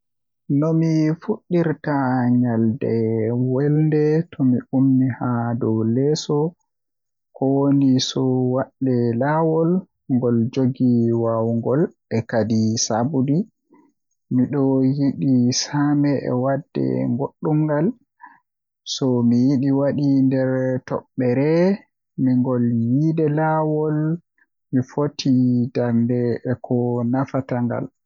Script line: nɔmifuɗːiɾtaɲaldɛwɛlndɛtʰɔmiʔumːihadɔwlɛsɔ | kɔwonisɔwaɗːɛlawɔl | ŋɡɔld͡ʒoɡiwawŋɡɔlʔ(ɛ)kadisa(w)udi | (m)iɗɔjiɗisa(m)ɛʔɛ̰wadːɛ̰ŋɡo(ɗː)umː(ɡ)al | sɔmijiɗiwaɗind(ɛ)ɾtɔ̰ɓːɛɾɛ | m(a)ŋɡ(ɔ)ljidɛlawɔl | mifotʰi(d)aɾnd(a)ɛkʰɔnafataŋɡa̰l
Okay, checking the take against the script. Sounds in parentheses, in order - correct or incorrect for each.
correct, incorrect, correct, correct, correct, correct, correct, incorrect, correct, correct, incorrect

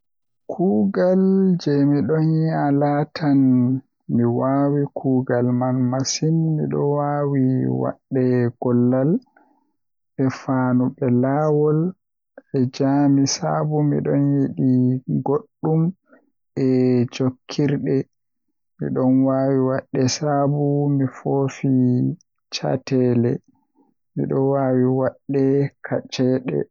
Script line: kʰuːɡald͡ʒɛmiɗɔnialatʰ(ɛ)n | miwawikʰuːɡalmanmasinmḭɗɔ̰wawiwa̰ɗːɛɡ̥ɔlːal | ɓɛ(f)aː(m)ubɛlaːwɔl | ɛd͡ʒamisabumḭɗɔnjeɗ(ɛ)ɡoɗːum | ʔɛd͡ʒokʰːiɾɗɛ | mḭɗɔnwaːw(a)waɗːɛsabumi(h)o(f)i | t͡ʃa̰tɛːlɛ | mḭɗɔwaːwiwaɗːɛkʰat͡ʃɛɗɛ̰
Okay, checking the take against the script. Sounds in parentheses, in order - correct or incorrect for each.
incorrect, correct, incorrect, incorrect, incorrect, incorrect, correct

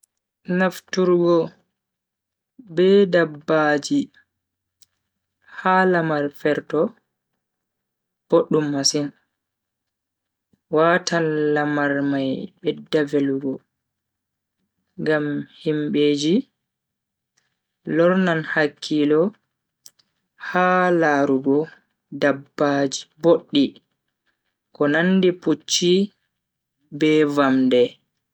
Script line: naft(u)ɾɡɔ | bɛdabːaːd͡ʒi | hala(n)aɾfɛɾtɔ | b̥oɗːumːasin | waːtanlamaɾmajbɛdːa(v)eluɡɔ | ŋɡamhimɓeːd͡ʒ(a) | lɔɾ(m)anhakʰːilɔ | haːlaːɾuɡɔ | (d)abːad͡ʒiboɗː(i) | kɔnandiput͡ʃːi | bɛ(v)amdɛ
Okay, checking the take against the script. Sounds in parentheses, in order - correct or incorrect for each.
correct, incorrect, correct, incorrect, incorrect, correct, correct, correct

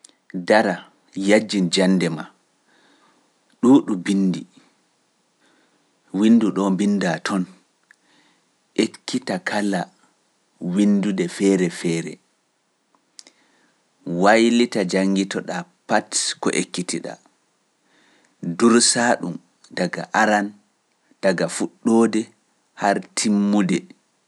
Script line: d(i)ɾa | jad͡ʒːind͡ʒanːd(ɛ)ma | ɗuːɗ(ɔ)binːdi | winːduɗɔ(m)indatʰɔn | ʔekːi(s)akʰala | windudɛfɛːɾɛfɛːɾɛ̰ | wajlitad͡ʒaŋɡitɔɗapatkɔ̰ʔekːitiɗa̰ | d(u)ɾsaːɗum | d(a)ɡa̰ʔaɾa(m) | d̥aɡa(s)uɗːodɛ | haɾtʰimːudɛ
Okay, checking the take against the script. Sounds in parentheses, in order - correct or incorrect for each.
incorrect, correct, incorrect, incorrect, incorrect, correct, correct, incorrect, incorrect

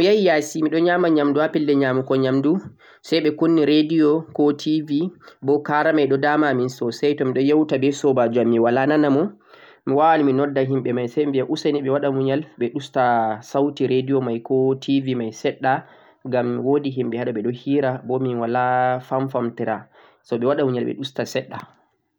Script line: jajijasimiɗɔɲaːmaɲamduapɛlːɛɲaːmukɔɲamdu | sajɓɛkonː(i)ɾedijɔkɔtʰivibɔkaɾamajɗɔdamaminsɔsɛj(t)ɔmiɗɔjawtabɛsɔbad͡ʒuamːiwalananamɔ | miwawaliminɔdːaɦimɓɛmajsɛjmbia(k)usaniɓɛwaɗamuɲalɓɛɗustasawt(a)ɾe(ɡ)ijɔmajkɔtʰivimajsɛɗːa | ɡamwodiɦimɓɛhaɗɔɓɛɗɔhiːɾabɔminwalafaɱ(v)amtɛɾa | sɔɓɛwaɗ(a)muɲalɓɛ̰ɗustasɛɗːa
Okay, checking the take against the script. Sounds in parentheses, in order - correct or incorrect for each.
correct, correct, incorrect, incorrect, incorrect, incorrect, correct

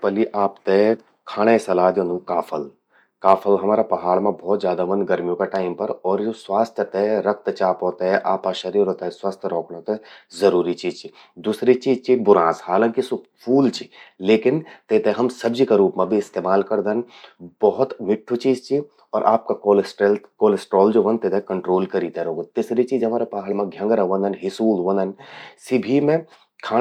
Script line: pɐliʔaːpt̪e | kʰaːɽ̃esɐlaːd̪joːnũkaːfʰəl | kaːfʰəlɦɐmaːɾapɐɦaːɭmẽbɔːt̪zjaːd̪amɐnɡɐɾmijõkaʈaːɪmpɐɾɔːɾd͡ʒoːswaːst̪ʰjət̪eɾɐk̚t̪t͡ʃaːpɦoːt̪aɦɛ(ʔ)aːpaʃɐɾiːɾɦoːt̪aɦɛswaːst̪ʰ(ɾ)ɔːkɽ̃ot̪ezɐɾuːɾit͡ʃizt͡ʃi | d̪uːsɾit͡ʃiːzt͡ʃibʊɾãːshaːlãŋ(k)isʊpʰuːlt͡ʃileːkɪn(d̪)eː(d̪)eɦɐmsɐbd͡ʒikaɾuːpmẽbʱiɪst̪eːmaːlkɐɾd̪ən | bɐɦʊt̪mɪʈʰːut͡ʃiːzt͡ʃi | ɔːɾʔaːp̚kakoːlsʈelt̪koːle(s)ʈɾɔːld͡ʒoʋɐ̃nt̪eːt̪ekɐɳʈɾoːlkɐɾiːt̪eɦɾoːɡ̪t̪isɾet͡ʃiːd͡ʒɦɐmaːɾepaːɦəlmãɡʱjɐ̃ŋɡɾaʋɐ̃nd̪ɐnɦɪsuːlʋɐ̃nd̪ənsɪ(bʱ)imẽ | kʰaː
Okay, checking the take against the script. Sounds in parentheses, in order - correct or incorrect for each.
correct, correct, correct, incorrect, incorrect, correct, correct

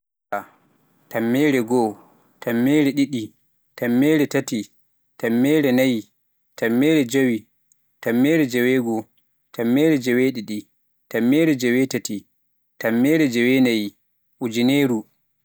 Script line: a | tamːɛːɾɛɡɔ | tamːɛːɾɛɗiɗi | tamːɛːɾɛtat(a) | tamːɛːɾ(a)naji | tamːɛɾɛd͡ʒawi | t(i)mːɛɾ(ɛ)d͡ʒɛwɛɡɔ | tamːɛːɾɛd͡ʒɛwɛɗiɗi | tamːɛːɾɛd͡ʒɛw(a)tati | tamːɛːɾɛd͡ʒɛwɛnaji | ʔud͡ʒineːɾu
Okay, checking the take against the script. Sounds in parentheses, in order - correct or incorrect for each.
incorrect, incorrect, incorrect, correct, incorrect

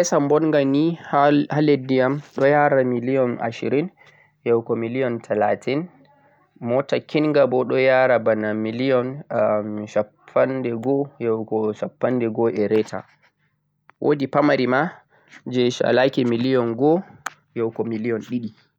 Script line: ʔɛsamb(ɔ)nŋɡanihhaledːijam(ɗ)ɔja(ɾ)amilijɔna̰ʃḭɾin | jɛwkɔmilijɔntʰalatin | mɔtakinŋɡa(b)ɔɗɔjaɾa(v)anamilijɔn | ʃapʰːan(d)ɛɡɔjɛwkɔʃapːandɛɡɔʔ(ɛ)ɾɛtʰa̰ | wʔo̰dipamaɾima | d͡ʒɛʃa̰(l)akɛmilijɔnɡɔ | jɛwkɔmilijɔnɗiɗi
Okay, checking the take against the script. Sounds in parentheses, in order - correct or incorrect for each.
correct, correct, correct, correct, incorrect, correct, correct, correct

